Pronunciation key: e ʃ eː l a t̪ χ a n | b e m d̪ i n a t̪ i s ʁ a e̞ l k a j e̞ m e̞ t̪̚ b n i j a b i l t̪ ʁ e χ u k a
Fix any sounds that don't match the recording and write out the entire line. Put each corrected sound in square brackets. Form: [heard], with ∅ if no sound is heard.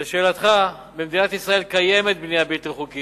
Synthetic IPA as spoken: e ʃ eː l a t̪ χ a [∅] | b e m d̪ i n a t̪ i s ʁ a e̞ l k a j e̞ m e̞ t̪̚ b n i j a b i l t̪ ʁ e χ u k [i]